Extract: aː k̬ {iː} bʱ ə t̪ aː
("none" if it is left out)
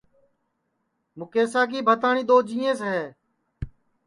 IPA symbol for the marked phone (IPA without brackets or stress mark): iː